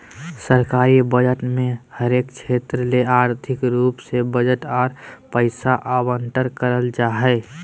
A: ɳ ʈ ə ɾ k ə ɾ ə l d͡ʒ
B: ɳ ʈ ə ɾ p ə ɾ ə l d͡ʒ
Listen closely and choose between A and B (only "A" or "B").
A